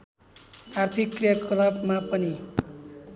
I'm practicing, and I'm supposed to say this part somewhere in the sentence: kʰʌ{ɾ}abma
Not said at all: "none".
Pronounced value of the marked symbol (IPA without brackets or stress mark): l